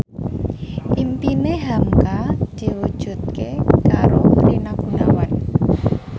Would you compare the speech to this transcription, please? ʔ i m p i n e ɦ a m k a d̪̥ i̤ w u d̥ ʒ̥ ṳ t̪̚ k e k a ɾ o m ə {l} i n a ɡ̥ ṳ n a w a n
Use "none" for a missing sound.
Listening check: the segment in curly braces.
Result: ɾ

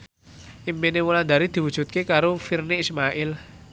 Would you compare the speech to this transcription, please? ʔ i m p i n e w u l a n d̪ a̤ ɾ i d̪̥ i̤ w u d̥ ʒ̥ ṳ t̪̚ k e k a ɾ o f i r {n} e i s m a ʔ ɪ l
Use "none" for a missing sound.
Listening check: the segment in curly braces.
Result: n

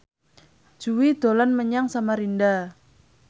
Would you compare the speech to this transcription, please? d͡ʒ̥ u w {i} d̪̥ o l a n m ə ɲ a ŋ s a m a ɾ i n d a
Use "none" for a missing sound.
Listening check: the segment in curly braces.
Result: i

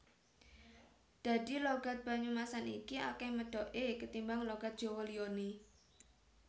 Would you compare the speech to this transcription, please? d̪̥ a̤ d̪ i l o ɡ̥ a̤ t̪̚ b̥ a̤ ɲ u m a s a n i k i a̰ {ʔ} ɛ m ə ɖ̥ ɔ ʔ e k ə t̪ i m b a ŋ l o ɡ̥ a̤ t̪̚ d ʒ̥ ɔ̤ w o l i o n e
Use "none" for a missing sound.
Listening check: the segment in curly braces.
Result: k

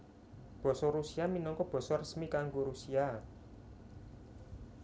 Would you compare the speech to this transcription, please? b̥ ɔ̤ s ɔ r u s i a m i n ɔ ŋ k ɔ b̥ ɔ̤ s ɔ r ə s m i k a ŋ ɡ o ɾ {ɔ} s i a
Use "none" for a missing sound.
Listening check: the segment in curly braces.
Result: u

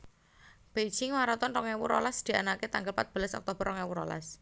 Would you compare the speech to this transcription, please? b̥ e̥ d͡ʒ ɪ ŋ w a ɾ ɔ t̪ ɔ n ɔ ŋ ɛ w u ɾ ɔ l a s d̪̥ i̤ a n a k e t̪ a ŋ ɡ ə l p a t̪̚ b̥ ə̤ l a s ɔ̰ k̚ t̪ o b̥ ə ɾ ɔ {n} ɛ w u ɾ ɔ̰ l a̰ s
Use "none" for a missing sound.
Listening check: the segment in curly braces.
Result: ŋ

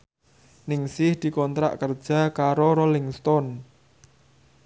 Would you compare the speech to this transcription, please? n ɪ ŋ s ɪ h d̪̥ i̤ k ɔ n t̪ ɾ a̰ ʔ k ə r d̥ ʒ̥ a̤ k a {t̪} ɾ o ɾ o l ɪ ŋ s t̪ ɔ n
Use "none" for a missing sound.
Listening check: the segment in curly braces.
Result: none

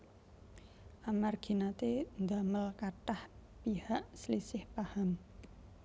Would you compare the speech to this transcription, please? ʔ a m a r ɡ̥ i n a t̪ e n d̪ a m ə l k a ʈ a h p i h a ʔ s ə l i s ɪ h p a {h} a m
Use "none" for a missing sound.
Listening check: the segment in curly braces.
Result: h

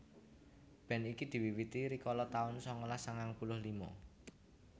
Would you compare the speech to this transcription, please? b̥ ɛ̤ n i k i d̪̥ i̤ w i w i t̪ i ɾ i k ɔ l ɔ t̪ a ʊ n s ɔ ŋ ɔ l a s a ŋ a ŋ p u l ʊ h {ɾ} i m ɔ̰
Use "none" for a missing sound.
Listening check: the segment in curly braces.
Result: l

